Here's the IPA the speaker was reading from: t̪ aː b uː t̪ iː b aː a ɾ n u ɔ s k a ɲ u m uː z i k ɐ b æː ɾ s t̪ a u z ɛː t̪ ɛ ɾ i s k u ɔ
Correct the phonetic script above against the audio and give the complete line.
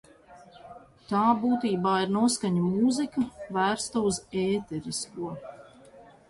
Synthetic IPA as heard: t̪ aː b uː t̪ iː b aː i ɾ n u ɔ s k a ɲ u m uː z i k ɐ v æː ɾ s t̪ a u z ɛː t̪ ɛ ɾ i s k u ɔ